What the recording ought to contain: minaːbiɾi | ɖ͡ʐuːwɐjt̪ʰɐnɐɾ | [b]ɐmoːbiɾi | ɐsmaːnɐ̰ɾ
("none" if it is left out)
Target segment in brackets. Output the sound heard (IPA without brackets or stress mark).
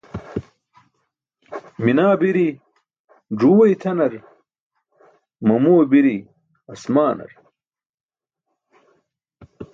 m